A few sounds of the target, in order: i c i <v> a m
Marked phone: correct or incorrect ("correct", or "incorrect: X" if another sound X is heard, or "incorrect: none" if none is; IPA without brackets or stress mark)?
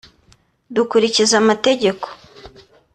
incorrect: z